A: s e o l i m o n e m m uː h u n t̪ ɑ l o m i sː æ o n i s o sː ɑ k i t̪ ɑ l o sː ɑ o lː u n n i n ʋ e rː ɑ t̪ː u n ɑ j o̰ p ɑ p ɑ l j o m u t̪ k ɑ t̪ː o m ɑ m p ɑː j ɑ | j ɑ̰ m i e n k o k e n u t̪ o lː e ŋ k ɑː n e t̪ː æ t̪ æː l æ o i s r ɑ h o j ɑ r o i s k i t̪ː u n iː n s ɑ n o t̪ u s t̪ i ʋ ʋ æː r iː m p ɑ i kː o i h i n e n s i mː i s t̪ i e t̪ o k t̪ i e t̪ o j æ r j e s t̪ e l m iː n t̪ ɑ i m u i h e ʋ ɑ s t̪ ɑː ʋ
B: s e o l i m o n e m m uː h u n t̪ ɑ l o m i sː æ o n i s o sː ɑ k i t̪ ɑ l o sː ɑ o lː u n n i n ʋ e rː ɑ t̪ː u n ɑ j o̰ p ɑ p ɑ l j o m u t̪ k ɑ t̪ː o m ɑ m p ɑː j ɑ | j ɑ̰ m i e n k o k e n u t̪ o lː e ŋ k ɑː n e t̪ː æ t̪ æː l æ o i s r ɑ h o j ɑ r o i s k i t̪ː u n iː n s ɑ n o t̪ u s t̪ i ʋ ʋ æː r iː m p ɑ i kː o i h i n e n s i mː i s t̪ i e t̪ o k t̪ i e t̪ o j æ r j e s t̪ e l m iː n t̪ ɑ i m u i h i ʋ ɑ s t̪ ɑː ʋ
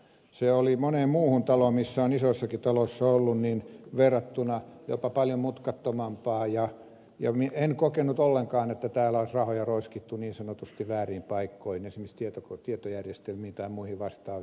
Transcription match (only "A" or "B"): B